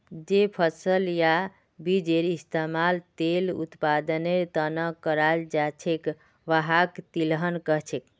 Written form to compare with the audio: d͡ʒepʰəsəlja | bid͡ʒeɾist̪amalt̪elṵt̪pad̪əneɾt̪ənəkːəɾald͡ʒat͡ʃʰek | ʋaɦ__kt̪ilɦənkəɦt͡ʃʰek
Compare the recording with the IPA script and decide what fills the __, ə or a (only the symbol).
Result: a